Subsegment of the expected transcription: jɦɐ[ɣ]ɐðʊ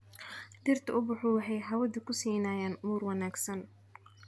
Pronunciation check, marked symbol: incorrect: w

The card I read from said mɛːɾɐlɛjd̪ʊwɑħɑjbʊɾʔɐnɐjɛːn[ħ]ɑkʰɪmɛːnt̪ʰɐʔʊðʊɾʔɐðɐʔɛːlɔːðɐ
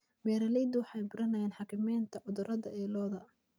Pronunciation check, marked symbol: correct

